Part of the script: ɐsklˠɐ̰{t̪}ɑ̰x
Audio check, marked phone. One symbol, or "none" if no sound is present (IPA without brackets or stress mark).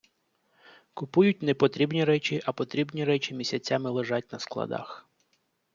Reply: d̪